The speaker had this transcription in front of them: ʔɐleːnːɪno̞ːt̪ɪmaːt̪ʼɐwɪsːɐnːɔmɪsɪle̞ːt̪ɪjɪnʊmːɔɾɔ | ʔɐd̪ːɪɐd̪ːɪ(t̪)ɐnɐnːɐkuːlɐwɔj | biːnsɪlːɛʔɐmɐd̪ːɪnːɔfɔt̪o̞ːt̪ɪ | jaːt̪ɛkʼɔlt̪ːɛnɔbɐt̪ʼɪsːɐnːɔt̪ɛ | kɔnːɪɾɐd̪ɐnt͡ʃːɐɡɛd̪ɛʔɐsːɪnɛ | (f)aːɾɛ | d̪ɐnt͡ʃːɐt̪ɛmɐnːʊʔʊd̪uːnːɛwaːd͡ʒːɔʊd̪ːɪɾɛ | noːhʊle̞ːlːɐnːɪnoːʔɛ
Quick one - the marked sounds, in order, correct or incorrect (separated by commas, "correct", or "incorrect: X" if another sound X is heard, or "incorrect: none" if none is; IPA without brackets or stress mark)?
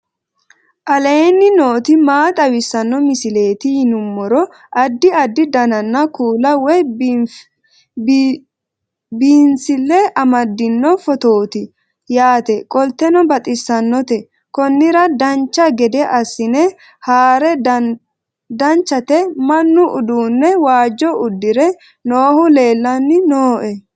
incorrect: d̪, incorrect: h